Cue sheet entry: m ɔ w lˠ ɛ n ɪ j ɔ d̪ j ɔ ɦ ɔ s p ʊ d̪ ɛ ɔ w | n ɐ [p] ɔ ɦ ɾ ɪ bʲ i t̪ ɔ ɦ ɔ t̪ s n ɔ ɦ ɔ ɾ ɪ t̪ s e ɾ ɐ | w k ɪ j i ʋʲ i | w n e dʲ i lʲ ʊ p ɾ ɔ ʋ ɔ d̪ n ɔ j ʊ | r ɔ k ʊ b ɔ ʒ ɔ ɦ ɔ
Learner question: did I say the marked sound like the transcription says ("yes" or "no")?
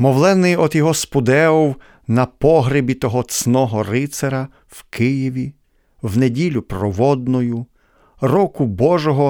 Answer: yes